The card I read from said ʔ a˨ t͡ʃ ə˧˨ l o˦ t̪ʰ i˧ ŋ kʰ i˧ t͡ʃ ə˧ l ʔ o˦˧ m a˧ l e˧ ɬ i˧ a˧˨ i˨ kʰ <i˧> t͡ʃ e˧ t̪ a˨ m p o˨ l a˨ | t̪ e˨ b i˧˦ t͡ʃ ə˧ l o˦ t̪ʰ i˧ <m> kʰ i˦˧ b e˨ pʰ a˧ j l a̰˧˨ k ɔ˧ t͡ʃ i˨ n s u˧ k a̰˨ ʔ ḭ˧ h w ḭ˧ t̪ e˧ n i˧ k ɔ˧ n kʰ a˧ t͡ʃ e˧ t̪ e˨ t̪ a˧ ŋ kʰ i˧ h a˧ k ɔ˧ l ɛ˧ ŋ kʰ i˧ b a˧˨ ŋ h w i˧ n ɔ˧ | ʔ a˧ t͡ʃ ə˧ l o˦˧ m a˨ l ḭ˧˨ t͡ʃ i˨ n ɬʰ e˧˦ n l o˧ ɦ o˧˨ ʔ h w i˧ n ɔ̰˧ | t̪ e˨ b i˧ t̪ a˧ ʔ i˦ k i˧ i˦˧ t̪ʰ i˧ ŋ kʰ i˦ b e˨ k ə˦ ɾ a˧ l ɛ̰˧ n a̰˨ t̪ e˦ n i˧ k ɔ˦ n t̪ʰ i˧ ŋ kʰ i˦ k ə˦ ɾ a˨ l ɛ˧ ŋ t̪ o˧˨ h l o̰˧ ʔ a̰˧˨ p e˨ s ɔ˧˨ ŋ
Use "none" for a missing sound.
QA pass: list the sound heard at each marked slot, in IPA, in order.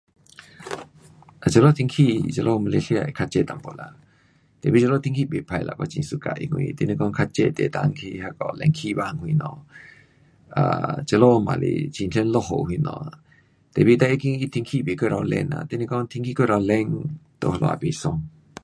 a˧, ŋ

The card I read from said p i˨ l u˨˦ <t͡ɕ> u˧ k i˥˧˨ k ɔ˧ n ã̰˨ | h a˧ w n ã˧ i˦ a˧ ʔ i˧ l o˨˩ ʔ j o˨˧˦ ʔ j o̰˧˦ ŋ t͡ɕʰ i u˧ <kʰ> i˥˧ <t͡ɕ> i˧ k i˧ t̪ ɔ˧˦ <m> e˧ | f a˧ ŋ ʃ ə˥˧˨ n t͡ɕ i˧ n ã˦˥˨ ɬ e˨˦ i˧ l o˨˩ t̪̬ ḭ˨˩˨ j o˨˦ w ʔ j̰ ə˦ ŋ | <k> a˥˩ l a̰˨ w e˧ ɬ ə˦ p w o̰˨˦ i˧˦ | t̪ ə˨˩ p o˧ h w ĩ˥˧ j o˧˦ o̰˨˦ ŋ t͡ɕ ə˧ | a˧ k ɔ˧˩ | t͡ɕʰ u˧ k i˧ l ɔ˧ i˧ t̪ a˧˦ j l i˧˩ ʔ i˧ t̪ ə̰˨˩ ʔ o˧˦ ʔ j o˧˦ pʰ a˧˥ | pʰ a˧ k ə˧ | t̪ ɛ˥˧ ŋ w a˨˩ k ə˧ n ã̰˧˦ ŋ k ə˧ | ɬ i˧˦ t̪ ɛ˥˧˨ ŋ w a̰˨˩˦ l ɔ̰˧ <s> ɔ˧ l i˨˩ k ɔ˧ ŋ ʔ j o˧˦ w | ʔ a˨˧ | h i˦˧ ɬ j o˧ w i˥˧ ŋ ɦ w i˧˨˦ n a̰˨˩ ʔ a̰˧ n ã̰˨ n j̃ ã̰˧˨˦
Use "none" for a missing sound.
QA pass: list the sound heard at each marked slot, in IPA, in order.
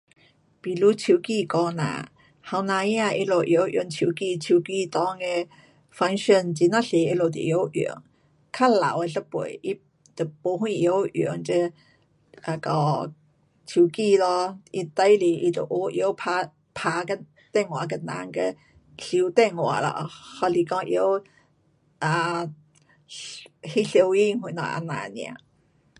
t͡ɕʰ, k, t͡ɕʰ, ŋ, kʰ, h

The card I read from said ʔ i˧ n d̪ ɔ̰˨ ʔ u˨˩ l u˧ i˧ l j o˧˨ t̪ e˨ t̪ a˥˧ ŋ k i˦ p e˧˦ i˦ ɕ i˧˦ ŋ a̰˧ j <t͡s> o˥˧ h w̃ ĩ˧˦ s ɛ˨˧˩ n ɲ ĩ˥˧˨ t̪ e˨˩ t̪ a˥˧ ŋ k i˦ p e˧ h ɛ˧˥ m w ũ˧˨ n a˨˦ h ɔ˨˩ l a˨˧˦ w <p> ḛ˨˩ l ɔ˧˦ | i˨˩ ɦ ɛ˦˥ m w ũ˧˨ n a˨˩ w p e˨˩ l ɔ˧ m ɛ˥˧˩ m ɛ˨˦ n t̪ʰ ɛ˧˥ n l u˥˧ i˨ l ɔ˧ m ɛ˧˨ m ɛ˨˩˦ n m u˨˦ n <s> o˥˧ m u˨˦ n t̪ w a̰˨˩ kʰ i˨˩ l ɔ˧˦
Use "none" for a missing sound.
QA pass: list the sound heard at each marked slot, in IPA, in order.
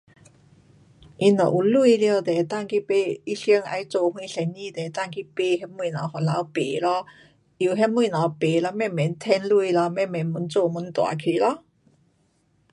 t͡s, p, t͡s

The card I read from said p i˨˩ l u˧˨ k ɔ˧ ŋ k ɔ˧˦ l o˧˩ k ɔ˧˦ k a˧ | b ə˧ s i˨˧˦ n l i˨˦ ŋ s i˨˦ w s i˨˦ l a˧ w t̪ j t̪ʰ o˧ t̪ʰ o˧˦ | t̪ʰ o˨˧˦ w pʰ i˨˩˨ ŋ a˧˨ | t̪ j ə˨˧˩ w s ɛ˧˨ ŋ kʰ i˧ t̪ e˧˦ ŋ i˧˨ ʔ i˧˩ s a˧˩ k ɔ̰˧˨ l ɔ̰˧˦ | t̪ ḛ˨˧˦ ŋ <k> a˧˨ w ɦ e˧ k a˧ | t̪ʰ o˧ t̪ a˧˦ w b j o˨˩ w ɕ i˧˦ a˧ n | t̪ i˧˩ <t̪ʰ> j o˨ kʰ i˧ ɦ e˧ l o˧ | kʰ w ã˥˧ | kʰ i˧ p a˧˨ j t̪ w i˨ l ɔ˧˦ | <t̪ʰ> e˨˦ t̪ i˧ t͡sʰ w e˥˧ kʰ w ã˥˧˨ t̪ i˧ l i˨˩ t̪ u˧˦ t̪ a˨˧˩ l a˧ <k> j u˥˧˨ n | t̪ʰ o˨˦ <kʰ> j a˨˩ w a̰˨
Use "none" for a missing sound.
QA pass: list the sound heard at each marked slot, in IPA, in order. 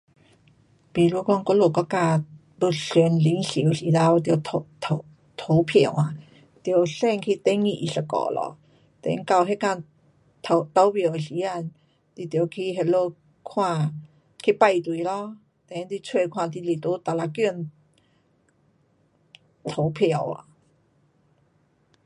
k, t̪, t̪, k, pʰ

